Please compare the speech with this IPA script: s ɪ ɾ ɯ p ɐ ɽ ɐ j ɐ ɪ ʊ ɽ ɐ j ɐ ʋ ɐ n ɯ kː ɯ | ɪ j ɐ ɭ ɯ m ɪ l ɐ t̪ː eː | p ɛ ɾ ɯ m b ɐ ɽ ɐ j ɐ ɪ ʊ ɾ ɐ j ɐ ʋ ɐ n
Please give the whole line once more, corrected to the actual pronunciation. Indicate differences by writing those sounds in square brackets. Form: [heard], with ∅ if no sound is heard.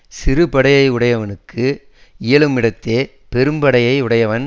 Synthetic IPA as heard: s ɪ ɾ ɯ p ɐ ɽ ɐ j ɐ ɪ ʊ ɽ ɐ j ɐ ʋ ɐ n ɯ kː ɯ | ɪ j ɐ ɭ ɯ m ɪ [ɽ] ɐ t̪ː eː | p ɛ ɾ ɯ m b ɐ ɽ ɐ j ɐ ɪ ʊ [ɽ] ɐ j ɐ ʋ ɐ n